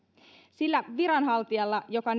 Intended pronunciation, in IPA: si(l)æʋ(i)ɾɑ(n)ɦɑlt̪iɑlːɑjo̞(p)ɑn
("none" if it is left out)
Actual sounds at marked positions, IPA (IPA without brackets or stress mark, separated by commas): lː, i, n, k